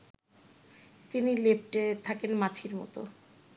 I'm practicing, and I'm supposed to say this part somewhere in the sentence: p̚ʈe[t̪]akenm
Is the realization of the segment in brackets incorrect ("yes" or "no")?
yes